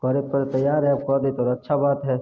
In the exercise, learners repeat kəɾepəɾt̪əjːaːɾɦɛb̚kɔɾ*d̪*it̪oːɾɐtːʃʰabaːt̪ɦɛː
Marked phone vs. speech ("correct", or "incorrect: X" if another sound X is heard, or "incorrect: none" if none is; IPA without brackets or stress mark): correct